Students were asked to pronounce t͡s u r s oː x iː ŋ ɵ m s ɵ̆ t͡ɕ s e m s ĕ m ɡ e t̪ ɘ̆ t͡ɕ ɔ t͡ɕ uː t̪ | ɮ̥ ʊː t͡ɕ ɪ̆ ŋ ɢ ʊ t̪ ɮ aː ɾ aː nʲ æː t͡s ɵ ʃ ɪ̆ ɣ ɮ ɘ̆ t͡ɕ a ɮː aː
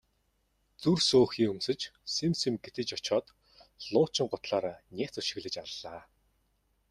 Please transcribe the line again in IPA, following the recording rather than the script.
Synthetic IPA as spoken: t͡s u r s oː x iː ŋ ɵ m s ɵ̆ t͡ɕ s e m s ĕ m ɡ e t̪ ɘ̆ t͡ɕ ɔ t͡ɕ ɔː t̪ | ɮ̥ ʊː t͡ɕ ɪ̆ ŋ ɢ ʊ t̪ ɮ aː ɾ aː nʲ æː t͡s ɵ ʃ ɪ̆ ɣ ɮ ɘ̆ t͡ɕ a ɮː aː

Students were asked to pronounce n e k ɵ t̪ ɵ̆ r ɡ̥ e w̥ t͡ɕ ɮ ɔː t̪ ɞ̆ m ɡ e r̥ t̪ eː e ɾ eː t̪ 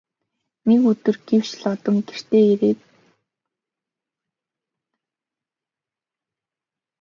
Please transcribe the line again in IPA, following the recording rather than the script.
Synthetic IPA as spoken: n e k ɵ t̪ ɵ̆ r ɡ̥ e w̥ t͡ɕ ɮ ɔ t̪ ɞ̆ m ɡ e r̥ t̪ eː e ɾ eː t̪

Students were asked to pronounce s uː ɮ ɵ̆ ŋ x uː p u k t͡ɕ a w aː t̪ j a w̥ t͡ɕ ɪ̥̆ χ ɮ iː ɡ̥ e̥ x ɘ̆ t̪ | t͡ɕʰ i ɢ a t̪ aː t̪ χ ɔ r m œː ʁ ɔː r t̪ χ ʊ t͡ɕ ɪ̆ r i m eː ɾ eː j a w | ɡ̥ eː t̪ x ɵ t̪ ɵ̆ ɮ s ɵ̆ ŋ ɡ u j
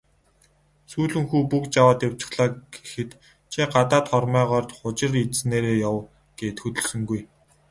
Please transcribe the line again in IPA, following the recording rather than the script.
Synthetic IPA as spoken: s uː ɮ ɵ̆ ŋ x uː p u k t͡ɕ a w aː t̪ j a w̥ t͡ɕ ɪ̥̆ χ ɮ aː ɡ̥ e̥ x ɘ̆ t̪ | t͡ɕʰ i ɢ a t̪ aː t̪ χ ɔ r m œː ʁ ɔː r t̪ χ ʊ t͡ɕ ɪ̆ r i n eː ɾ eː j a w | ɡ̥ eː t̪ x ɵ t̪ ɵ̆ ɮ s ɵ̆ ŋ ɡ u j

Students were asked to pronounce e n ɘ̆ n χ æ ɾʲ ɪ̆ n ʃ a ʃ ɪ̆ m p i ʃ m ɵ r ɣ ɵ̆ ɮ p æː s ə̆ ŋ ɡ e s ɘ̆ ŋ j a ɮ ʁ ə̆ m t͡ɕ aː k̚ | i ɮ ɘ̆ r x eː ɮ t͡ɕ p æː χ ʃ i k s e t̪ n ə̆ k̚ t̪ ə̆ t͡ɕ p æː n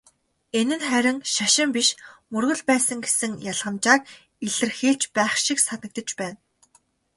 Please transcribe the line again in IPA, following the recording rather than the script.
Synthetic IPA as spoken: e n ɘ̆ n χ æ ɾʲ ɪ̆ ŋ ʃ a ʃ ɪ̆ m p i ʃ m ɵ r ɣ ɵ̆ ɮ p æː s ə̆ ŋ ɡ e s ɘ̆ ŋ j a ɮ ʁ ə̆ m t͡ɕ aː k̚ | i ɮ ɘ̆ r x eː ɮ t͡ɕ p æː χ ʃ i k s a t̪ n ə̆ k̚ t̪ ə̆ t͡ɕ p æː n

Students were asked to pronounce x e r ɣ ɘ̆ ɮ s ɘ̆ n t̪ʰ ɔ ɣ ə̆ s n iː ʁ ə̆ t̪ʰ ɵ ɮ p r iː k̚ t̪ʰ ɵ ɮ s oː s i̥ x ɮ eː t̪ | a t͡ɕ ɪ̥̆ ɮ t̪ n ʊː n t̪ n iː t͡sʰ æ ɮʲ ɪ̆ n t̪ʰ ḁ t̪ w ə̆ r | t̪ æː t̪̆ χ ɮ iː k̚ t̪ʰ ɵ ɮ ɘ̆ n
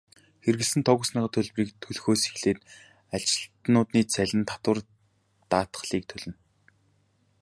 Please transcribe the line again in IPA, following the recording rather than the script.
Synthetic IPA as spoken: x e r ɣ ɘ̆ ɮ s ɘ̆ n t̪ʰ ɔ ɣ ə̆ s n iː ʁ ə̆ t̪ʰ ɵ ɮ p r iː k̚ t̪ʰ ɵ ɮ x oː s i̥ x ɮ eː t̪ | a t͡ɕ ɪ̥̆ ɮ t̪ n ʊː t̪ n iː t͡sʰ æ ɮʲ ɪ̆ n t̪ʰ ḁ t̪ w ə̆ r | t̪ aː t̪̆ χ ɮ iː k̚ t̪ʰ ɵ ɮ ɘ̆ n

